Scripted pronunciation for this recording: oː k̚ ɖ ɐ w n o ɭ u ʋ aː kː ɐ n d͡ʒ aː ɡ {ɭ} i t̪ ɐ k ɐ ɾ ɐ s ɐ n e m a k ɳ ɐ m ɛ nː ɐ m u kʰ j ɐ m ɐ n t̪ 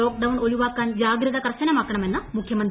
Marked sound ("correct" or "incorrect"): incorrect